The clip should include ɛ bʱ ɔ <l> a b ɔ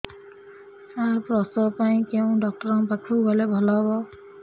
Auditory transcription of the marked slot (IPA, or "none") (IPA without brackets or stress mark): l